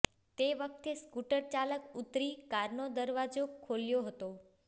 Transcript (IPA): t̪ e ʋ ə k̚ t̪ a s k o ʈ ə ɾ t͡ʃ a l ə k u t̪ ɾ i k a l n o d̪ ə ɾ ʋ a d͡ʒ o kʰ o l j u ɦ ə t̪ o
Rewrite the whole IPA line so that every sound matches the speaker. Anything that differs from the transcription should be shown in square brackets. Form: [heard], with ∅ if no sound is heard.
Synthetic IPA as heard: t̪ e ʋ ə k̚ t̪ [e] s k [u] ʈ ə ɾ t͡ʃ a l ə k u t̪ ɾ i k a [ɾ] n o d̪ ə ɾ ʋ a d͡ʒ o kʰ o l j [o] ɦ ə t̪ o